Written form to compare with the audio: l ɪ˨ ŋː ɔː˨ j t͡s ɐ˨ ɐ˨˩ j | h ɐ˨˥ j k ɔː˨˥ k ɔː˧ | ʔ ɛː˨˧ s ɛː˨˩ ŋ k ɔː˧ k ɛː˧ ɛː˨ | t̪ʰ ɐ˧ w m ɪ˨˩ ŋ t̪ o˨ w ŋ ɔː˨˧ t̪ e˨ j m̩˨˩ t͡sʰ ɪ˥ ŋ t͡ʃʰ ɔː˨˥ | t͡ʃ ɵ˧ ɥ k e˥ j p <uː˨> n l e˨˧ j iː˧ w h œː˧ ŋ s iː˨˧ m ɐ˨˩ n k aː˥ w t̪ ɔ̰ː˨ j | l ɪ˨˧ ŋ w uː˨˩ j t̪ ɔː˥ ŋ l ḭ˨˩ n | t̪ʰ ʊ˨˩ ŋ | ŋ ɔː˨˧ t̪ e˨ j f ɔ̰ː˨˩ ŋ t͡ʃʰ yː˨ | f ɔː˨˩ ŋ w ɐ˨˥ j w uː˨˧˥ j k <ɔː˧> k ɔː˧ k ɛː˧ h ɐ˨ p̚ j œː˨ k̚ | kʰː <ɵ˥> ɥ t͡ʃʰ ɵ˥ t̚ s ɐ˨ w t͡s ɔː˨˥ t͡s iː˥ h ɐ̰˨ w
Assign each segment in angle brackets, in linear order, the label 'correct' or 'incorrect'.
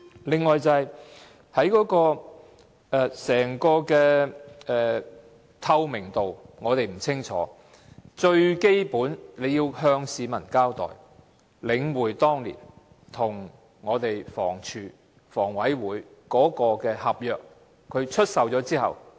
incorrect, incorrect, incorrect

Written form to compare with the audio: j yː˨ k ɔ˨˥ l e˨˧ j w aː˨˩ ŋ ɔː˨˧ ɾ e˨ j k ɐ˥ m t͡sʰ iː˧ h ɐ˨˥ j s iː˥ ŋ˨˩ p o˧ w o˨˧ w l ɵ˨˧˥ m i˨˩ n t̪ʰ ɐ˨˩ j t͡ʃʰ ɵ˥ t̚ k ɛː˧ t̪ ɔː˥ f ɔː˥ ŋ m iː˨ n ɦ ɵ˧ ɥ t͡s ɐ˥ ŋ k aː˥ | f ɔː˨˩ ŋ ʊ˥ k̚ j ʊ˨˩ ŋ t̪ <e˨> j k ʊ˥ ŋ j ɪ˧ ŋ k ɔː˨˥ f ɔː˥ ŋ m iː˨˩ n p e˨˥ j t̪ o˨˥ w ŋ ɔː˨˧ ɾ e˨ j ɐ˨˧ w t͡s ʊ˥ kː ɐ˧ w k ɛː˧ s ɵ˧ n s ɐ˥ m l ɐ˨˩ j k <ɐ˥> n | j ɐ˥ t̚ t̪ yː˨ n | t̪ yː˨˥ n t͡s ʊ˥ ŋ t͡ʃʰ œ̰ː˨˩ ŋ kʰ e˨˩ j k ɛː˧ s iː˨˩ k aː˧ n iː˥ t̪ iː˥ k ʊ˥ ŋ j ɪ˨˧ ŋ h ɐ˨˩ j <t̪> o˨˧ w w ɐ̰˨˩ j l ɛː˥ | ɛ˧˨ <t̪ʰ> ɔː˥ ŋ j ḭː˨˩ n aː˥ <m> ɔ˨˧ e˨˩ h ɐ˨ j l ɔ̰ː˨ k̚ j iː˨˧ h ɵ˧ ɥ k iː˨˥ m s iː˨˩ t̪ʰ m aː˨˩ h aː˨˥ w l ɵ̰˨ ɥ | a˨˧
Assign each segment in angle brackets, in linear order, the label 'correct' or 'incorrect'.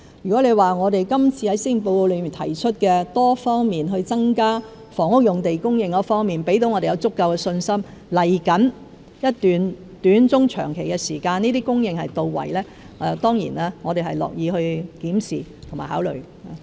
correct, incorrect, correct, incorrect, incorrect

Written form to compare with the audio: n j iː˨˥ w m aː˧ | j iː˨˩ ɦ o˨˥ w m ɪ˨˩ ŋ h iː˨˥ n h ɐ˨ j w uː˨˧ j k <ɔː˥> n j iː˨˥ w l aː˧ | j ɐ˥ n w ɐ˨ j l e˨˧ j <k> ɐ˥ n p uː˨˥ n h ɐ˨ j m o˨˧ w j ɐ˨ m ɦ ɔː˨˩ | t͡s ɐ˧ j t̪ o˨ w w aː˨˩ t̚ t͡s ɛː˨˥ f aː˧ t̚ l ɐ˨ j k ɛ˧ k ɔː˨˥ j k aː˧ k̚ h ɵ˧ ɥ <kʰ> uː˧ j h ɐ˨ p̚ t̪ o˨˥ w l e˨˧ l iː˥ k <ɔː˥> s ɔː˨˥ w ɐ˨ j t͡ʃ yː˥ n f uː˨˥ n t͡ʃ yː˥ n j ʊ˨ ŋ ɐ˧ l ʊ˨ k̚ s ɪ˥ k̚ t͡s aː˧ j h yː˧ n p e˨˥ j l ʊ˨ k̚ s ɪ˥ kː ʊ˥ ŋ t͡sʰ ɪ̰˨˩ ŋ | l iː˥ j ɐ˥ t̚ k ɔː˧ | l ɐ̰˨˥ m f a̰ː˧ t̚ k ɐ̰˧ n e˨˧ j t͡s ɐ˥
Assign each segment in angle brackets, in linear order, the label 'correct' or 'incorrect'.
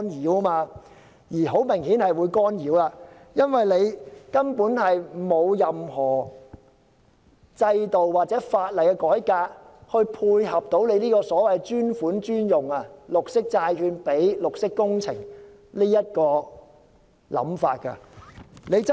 correct, correct, incorrect, incorrect

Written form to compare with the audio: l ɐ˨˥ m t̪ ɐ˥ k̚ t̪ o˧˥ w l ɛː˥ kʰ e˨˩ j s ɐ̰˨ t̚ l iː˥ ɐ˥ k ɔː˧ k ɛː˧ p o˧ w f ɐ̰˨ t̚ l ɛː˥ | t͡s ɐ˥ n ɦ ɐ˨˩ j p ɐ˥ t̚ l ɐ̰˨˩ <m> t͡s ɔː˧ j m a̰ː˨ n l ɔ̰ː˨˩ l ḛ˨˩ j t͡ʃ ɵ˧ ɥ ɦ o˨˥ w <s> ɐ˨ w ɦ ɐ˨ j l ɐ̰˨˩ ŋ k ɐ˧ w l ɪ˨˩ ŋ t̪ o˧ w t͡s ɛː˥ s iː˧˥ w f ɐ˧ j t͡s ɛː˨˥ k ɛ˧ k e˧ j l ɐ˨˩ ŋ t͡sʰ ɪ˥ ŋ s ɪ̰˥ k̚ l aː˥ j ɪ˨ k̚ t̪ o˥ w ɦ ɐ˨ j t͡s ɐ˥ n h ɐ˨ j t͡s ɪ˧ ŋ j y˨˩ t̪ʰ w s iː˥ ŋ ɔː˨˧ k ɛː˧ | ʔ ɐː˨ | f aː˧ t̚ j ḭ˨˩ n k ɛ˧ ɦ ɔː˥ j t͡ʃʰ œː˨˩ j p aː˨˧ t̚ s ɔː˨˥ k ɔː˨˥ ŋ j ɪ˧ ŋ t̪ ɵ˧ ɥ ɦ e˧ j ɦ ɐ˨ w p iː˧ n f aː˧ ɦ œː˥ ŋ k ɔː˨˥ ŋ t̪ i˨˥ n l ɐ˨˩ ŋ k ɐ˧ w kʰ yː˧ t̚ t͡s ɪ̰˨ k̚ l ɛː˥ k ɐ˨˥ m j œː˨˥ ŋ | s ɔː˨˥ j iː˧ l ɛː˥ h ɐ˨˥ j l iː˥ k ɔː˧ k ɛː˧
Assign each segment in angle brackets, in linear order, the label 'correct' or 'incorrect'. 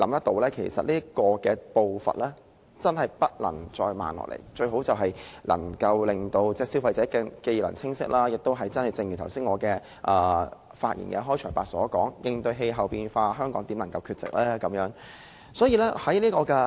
incorrect, incorrect

